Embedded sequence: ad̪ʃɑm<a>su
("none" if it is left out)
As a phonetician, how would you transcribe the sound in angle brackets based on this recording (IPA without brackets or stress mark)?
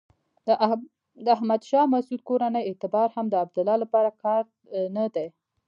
a